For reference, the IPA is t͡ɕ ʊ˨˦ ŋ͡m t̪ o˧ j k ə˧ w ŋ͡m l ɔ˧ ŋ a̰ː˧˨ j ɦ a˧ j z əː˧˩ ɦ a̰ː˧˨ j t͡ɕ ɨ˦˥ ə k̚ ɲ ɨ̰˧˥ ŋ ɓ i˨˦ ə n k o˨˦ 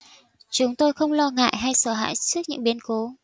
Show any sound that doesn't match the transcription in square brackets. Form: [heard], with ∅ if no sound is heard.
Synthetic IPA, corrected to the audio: t͡ɕ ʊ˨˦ ŋ͡m t̪ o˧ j [x] ə˧ w ŋ͡m l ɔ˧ ŋ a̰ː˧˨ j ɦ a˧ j [s] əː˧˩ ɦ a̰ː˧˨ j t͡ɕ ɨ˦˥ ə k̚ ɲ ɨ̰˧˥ ŋ ɓ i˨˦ ə n k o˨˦